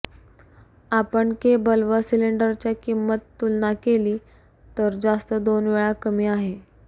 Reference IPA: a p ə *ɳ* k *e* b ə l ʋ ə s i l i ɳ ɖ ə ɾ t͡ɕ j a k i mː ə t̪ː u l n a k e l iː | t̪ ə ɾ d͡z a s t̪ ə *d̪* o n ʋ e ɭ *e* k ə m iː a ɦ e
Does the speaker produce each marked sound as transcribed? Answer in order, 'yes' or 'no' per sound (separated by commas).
yes, yes, yes, no